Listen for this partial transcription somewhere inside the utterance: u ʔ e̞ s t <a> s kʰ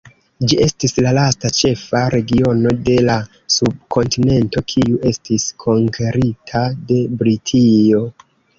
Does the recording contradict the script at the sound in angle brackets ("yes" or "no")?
yes